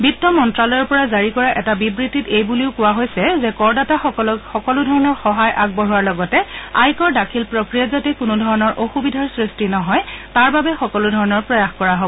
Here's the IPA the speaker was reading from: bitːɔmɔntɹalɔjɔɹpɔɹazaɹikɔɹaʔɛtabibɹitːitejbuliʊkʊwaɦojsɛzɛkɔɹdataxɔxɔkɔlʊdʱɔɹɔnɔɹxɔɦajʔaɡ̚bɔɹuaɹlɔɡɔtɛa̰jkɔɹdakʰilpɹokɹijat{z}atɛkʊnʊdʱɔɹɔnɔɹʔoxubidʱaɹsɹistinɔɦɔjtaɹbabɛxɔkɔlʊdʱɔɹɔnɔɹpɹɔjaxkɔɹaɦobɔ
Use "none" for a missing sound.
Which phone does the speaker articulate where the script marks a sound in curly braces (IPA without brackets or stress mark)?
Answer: z